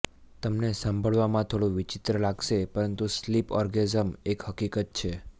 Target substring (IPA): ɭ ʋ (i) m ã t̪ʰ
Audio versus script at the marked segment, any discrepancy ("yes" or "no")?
yes